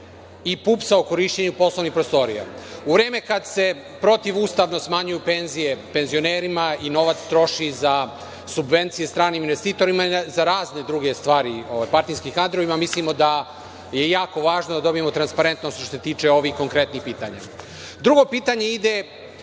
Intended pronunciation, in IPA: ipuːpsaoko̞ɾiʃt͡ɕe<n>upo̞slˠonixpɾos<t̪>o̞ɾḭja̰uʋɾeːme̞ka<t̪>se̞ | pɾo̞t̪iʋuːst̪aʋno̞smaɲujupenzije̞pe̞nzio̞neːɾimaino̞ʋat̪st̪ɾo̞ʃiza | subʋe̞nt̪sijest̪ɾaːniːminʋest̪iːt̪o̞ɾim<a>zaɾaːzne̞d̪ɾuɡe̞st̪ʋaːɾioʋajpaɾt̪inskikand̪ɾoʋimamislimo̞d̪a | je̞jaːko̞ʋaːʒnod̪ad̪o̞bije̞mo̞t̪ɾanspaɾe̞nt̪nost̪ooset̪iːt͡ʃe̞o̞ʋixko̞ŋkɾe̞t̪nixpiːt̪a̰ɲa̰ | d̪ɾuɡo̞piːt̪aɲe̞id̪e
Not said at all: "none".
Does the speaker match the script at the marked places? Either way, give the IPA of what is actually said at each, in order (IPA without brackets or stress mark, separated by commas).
ɲ, t̪, d̪, a